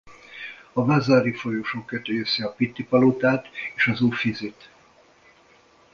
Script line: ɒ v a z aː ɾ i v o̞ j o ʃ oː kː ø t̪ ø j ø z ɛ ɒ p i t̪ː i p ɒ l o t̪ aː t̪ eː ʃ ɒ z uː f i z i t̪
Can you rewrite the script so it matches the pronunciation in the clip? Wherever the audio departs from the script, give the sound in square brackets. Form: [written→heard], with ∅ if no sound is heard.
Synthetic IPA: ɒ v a z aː ɾ i [v→f] o̞ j o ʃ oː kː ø t̪ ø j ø [z→s] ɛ ɒ p i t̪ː i p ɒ l o t̪ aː t̪ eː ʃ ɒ z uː f i z i t̪